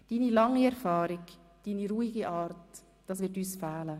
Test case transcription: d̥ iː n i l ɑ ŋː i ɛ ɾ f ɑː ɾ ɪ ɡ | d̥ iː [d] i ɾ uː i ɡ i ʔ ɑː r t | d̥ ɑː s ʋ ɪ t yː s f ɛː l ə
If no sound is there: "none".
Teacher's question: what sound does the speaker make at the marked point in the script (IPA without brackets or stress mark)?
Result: n